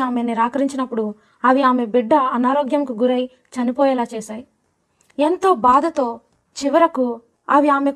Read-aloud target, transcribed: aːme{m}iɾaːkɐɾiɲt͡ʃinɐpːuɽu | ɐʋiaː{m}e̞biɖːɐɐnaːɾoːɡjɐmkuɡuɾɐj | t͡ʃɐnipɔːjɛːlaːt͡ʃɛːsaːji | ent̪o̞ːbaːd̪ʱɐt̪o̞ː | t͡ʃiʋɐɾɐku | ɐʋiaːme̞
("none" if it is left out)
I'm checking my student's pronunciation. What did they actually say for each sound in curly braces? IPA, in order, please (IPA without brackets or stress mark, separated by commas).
n, m